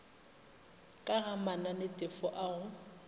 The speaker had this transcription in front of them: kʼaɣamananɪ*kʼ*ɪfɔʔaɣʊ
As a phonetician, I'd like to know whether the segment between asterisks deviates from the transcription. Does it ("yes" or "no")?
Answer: yes